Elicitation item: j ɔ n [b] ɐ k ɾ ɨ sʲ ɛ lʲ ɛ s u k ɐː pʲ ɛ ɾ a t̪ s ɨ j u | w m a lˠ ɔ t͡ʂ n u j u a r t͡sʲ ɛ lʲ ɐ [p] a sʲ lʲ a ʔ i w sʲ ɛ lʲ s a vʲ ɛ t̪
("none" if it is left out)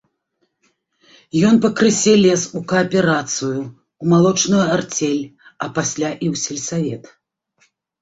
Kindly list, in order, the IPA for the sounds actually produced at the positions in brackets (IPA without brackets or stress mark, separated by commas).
p, p